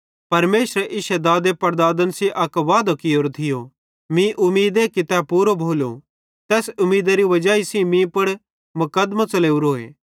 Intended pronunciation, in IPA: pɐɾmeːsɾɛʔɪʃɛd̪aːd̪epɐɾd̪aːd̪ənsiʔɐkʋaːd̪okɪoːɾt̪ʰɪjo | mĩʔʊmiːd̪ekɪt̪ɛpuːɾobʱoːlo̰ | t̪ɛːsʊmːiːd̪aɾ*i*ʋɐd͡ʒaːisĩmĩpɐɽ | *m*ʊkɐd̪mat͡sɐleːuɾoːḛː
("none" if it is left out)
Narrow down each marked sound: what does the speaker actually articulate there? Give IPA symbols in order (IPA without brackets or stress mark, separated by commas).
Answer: i, m